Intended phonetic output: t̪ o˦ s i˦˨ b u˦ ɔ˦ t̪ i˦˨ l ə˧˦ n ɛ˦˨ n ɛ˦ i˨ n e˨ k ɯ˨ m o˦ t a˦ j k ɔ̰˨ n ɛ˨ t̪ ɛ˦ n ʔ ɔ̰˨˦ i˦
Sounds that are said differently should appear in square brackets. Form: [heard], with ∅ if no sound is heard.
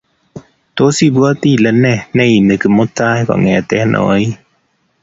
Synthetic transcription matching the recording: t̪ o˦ s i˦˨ b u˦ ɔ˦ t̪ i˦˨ l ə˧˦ n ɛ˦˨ n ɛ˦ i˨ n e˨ k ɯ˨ m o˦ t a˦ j k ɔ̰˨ [ŋ] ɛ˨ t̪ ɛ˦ n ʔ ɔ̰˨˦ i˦